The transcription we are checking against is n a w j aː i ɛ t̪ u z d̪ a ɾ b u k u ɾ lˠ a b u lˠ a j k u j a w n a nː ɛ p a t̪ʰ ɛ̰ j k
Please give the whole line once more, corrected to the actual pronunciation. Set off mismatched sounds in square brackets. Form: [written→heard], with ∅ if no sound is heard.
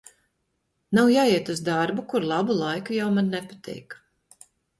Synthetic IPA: n a w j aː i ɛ t̪ u z d̪ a ɾ b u k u ɾ lˠ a b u lˠ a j k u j a w [n→m] a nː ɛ p a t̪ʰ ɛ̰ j k